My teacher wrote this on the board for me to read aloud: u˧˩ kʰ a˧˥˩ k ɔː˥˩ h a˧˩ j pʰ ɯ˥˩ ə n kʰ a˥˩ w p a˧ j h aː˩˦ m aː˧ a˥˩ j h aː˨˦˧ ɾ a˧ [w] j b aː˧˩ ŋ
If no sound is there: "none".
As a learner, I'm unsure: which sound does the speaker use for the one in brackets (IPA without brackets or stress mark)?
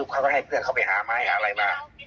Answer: none